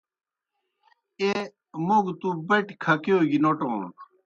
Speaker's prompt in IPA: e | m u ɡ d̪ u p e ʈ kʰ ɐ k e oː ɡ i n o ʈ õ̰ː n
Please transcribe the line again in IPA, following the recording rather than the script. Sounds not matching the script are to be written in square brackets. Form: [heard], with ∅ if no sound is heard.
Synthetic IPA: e | m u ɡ [t̪] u [b] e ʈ kʰ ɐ k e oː ɡ i n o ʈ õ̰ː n